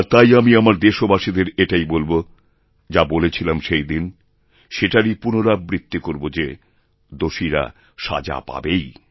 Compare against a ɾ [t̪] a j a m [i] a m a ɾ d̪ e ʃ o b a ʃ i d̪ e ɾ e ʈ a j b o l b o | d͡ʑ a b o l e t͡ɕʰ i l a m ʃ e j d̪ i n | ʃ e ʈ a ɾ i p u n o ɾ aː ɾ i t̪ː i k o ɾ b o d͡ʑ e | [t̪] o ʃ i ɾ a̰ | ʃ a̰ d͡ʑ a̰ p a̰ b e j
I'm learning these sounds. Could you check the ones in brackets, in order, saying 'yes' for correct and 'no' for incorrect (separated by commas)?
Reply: yes, yes, no